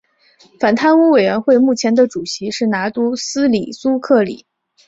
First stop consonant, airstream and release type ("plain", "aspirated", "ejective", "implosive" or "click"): aspirated